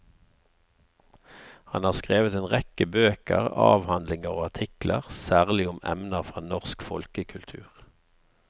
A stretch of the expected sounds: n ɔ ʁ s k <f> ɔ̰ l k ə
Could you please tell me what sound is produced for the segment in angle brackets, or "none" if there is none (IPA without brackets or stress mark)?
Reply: f